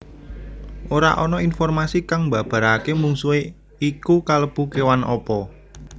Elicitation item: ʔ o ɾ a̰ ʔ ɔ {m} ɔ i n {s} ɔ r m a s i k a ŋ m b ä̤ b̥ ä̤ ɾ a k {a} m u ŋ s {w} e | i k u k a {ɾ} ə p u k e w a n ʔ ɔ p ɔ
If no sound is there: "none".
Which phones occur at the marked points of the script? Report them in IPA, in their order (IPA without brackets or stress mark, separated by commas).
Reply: n, f, e, u, l